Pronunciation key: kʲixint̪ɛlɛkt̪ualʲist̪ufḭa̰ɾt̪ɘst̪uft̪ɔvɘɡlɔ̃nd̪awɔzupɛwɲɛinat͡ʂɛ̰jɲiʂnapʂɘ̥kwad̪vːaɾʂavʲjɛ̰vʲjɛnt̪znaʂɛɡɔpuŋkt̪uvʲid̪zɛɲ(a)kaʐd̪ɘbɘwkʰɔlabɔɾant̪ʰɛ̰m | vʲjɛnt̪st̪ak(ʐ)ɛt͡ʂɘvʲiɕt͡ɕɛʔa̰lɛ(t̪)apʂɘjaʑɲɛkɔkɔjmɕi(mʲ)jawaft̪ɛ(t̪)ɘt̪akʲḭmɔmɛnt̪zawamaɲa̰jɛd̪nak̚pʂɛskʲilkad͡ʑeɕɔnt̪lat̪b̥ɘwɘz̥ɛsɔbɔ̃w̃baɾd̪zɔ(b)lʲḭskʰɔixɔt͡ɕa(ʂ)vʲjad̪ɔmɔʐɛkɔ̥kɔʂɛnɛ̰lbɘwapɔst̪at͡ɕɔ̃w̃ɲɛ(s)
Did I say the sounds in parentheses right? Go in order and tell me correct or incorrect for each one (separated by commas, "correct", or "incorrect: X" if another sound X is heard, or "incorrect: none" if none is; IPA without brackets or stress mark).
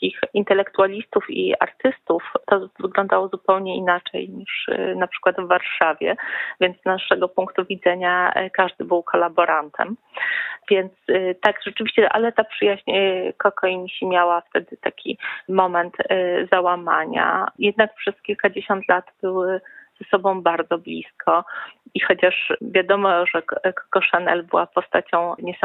correct, correct, correct, correct, incorrect: d̪, correct, correct, correct